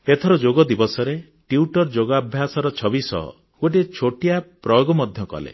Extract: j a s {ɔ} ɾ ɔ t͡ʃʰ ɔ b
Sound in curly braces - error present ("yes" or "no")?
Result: no